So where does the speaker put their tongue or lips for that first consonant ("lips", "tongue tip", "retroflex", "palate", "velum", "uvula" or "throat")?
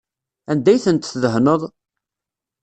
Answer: tongue tip